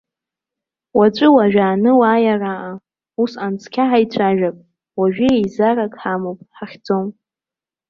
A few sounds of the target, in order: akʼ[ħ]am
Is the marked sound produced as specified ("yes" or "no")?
yes